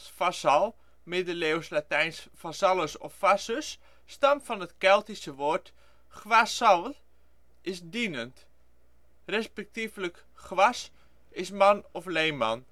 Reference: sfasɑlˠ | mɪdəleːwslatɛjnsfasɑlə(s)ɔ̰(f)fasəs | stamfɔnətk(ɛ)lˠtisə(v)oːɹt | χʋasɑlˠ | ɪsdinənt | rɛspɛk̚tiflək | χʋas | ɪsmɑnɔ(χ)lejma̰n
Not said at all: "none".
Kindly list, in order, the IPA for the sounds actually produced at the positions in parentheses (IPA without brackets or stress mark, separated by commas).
s, f, ɛ, ʋ, f